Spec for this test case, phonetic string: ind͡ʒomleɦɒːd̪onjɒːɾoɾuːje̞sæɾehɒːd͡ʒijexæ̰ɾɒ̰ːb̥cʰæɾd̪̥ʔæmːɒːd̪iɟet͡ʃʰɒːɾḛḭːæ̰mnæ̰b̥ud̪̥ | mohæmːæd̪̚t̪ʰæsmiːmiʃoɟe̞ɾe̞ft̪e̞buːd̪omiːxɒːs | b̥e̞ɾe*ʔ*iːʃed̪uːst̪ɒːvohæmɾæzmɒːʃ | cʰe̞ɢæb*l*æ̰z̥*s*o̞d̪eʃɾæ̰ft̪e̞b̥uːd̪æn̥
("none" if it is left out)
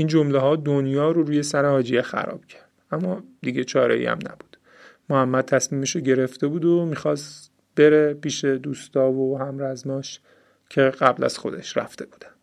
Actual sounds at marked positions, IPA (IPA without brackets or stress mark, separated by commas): p, l, x